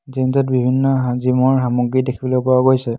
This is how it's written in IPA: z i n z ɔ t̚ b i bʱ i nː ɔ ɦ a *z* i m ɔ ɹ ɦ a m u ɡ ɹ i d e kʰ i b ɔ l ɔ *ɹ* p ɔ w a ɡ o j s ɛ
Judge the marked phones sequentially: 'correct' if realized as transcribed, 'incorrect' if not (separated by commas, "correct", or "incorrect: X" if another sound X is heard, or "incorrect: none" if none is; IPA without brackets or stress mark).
correct, incorrect: none